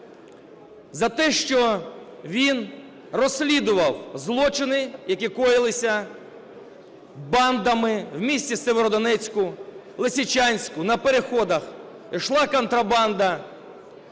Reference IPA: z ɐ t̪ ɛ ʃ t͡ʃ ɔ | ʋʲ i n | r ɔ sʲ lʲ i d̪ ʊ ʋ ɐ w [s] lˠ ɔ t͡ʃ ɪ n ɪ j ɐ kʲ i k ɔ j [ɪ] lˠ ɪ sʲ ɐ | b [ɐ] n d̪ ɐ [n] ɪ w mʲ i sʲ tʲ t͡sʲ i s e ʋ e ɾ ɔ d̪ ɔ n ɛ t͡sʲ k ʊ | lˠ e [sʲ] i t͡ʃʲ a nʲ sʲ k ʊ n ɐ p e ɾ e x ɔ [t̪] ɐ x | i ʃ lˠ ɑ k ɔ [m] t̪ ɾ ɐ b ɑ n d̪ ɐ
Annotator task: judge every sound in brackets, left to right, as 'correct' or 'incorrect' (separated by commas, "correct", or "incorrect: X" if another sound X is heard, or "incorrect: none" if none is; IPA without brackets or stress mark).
incorrect: z, correct, incorrect: ɑ, incorrect: m, correct, incorrect: d̪, incorrect: n